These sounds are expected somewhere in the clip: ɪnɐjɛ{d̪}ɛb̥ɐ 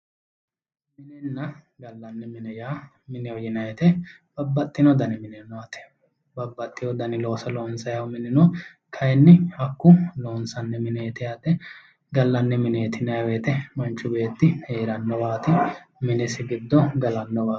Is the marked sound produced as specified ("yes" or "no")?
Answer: no